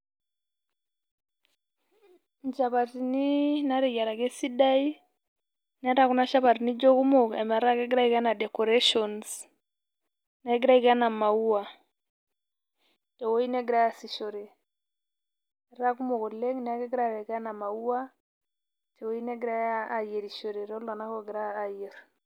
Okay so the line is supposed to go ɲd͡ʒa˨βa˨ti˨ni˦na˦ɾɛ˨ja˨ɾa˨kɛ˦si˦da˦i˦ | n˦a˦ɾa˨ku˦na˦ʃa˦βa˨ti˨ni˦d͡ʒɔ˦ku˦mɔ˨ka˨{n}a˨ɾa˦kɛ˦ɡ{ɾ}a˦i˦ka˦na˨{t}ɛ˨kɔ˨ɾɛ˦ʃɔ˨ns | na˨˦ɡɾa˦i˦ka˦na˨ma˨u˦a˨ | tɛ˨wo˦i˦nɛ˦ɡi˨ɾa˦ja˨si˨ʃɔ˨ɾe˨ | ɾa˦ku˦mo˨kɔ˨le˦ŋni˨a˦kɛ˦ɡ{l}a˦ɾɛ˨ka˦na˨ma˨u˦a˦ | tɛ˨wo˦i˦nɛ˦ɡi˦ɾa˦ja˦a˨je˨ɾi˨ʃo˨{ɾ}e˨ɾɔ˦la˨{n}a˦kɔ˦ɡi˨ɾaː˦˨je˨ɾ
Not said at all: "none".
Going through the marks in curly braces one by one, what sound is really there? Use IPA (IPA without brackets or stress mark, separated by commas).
m, ɾ, d, ɾ, ɾ, n